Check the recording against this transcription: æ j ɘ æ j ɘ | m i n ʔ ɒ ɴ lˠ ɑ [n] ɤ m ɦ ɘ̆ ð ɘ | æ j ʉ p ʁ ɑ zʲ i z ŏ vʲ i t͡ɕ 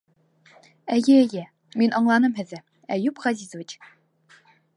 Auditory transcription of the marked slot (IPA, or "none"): n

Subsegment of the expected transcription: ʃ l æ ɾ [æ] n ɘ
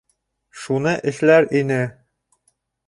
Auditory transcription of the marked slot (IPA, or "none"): i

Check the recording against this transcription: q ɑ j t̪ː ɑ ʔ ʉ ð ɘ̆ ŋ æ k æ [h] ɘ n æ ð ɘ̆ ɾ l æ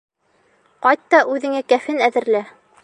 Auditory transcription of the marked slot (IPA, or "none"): f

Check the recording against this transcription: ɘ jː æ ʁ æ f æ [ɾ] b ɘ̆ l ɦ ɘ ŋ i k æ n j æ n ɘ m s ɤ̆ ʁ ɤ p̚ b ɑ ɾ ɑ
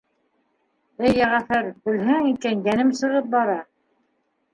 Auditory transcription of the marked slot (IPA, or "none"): ɾ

